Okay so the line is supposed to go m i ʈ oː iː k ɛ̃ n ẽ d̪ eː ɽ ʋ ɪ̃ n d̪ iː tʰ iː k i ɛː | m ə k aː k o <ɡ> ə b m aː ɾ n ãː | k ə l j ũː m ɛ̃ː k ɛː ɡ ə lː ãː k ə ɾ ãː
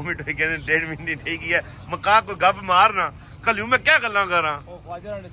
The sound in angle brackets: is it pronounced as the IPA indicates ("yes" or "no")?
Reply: yes